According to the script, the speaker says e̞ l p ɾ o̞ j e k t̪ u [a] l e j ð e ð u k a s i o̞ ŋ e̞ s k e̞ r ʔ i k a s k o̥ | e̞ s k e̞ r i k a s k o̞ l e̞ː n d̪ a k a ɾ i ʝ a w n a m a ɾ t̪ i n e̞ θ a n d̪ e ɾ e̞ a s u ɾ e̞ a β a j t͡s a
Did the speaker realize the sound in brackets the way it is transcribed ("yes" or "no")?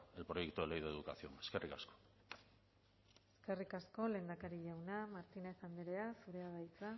no